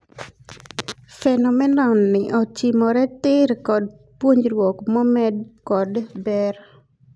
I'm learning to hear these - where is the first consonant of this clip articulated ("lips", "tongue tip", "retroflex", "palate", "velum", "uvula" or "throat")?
lips